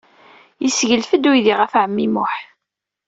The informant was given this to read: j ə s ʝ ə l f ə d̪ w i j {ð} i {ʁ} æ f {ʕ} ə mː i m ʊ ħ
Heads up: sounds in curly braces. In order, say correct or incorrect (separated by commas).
correct, correct, correct